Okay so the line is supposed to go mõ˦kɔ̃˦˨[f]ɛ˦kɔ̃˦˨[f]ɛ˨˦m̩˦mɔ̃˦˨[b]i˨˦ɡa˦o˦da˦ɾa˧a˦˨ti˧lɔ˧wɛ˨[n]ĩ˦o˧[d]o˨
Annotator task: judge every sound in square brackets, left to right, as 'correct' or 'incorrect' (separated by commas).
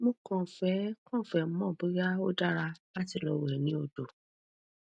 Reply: correct, correct, correct, correct, correct